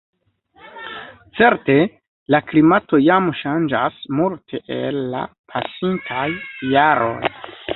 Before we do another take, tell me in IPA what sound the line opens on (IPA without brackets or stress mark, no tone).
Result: t͡s